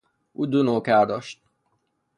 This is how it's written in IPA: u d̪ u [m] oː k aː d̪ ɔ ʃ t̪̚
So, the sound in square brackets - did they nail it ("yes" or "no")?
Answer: no